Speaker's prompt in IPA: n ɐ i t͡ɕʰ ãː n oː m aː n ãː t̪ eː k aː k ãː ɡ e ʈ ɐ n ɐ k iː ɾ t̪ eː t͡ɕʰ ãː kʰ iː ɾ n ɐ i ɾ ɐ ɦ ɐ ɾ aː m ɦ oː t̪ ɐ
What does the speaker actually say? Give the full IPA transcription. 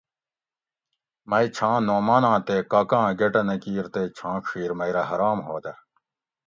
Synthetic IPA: m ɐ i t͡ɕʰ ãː n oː m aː n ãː t̪ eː k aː k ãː ɡ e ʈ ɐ n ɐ k iː ɾ t̪ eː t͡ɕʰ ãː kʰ iː ɾ m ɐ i ɾ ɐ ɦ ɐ ɾ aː m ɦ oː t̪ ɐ